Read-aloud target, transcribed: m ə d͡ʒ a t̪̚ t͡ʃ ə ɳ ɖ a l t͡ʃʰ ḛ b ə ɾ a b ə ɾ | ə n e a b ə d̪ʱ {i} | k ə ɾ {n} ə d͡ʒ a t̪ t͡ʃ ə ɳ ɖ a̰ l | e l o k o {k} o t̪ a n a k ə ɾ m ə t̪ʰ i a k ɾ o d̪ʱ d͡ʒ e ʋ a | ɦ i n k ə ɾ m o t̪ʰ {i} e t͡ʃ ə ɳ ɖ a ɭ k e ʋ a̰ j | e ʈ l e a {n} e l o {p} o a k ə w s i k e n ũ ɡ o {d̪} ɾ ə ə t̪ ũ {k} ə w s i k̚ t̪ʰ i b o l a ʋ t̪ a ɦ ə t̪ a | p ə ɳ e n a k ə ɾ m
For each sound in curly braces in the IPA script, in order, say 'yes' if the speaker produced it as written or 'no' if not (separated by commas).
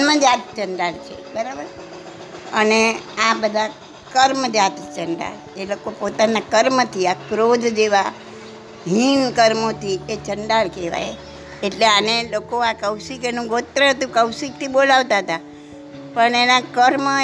no, no, no, yes, yes, no, no, yes